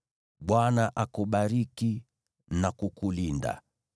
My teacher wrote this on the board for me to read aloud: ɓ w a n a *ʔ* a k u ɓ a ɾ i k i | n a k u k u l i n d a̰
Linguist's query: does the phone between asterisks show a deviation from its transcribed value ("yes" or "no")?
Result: no